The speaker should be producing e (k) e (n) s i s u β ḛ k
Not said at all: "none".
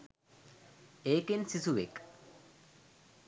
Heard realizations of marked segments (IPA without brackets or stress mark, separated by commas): k, n